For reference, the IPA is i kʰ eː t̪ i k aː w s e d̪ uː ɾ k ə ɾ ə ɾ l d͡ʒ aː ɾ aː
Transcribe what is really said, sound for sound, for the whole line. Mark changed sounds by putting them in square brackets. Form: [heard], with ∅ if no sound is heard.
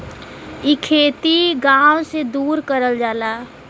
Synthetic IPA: i kʰ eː t̪ i [ɡ] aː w s e d̪ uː ɾ k ə ɾ ə [∅] l d͡ʒ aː [l] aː